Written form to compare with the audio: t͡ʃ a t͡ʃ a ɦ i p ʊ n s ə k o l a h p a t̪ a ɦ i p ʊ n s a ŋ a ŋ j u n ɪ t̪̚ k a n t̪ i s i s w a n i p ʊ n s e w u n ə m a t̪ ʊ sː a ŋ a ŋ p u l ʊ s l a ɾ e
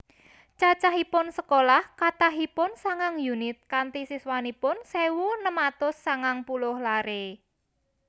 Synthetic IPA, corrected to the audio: t͡ʃ a t͡ʃ a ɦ i p ʊ n s ə k o l a h k a t̪ a ɦ i p ʊ n s a ŋ a ŋ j u n ɪ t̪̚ k a n t̪ i s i s w a n i p ʊ n s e w u n ə m a t̪ ʊ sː a ŋ a ŋ p u l ʊ h l a ɾ e